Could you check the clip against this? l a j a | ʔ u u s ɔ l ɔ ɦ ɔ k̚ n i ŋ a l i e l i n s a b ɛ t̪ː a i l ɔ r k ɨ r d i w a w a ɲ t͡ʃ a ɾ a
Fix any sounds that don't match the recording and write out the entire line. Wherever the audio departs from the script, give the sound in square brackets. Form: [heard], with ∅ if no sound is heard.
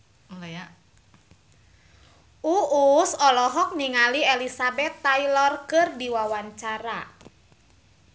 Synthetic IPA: l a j a | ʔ u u s ɔ l ɔ ɦ ɔ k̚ n i ŋ a l i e l i [∅] s a b ɛ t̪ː a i l ɔ r k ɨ r d i w a w a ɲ t͡ʃ a ɾ a